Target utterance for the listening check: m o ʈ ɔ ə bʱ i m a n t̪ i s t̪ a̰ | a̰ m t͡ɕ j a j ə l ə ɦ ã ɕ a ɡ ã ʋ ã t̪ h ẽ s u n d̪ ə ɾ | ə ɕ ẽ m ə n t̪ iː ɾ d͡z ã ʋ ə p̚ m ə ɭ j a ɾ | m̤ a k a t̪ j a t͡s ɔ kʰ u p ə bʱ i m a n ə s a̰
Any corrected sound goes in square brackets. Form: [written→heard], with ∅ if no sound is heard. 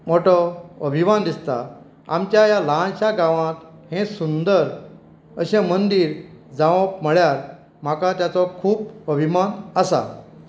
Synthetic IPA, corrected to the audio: m o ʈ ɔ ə bʱ i m a n [t̪→d̪] i s t̪ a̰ | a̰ m t͡ɕ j a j [ə→a] l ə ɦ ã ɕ a ɡ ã ʋ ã t̪ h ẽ s u n d̪ ə ɾ | ə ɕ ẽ m ə n [t̪→d̪] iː ɾ d͡z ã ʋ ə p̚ m ə ɭ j a ɾ | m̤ a k a t̪ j a t͡s ɔ kʰ [u→uː] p ə bʱ i m a n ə s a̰